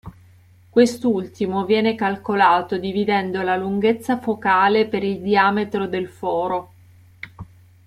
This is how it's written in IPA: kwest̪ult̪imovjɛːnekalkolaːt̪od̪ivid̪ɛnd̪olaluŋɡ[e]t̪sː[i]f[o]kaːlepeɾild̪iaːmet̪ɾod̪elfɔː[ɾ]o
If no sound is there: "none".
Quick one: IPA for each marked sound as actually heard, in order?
e, a, o, ɾ

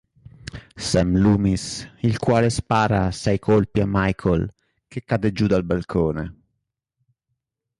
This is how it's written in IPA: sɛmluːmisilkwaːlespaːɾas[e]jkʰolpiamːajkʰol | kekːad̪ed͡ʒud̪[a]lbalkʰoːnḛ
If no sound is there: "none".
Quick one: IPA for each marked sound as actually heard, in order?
a, a

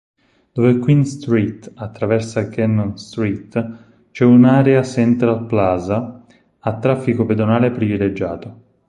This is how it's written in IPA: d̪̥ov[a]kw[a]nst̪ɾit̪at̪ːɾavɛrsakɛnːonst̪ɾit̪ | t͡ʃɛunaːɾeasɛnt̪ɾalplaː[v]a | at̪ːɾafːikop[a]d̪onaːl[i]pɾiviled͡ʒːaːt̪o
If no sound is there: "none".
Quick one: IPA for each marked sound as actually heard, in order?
e, i, z, e, e

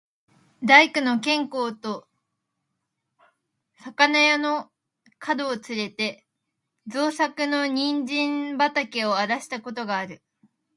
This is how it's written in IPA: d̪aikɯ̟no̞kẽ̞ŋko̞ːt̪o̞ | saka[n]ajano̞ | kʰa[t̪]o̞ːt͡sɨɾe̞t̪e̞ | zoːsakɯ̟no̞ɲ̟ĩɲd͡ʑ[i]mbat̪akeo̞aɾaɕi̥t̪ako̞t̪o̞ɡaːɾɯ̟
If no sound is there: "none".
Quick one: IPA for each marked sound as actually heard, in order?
n, d̪, ĩ

